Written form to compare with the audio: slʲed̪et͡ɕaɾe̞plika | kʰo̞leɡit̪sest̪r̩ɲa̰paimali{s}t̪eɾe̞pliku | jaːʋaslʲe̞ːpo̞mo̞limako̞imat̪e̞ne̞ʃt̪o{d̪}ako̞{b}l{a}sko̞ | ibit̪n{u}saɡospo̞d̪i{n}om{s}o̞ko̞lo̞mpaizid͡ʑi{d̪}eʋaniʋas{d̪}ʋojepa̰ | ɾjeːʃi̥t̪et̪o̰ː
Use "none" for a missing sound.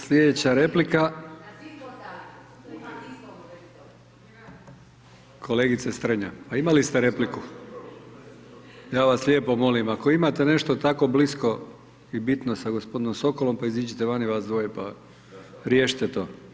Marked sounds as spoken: s, t̪, b, i, o, n, s, t̪, d̪

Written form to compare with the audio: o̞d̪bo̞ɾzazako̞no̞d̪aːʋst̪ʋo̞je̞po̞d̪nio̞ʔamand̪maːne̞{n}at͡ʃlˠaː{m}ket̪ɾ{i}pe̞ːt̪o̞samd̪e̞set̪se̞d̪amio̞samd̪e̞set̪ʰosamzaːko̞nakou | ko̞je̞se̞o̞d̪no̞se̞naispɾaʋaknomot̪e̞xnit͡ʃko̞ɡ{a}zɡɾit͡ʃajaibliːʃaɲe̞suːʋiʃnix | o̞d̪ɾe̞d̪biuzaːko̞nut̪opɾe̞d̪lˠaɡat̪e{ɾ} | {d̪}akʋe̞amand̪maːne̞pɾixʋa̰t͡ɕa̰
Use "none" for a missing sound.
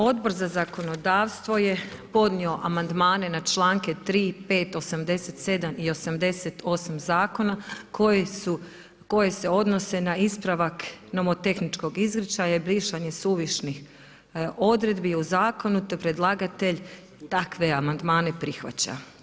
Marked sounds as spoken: n, ŋ, iː, i, ʎ, t̪

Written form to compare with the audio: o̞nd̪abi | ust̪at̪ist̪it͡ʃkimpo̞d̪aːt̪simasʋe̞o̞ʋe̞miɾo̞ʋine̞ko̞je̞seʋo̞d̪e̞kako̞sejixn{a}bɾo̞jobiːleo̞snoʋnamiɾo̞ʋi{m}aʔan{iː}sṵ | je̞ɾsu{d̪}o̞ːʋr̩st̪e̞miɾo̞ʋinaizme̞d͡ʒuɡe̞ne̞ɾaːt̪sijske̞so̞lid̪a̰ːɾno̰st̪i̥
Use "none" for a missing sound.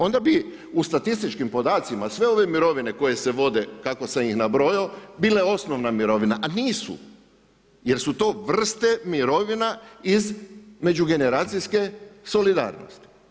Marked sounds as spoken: a, n, iː, t̪

